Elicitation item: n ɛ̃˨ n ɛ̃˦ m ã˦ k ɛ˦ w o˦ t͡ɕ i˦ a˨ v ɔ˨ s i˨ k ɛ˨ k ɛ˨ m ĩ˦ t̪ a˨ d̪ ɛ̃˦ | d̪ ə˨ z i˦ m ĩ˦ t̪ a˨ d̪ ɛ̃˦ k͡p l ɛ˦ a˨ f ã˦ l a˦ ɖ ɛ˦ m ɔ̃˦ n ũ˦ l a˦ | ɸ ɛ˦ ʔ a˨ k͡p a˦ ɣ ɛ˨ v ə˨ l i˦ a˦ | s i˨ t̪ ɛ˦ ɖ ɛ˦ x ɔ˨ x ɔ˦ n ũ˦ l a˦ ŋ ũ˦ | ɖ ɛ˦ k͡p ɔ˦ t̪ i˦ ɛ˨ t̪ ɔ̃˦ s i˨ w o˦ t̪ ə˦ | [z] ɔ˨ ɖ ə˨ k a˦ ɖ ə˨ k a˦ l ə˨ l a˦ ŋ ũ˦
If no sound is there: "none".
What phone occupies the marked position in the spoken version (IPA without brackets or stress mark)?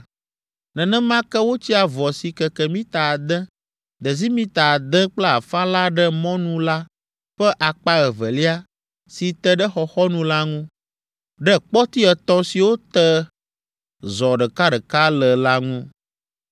z